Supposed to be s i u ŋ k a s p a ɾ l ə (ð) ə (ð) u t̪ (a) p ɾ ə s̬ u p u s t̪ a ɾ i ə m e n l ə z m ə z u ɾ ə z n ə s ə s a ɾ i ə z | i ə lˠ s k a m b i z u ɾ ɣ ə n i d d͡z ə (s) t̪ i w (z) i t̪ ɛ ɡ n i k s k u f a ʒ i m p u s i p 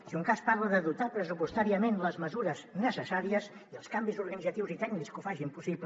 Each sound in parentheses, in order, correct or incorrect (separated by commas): correct, correct, correct, incorrect, correct